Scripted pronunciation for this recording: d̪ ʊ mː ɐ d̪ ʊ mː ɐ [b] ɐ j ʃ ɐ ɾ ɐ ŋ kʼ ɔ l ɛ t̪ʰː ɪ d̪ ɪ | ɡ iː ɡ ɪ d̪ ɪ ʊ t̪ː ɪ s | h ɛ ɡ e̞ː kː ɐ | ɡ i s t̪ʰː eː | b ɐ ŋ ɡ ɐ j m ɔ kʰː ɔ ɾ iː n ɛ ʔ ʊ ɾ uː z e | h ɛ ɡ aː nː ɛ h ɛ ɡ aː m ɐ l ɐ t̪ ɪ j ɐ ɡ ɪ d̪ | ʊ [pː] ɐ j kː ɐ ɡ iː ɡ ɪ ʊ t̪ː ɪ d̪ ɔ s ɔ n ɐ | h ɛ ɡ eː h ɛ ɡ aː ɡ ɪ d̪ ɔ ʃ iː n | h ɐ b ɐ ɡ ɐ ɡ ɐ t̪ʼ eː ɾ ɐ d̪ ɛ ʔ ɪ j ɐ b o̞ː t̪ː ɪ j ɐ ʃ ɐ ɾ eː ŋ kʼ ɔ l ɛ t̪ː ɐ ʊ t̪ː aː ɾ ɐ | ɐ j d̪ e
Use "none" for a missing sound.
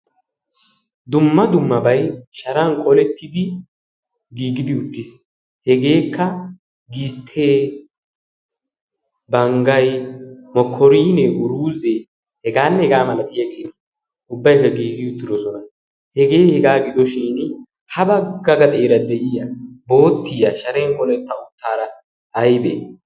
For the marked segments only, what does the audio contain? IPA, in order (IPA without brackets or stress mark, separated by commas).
b, bː